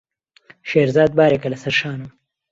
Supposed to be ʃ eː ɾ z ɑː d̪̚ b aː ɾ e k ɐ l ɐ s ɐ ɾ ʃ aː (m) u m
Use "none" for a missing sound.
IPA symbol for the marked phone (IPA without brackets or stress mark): n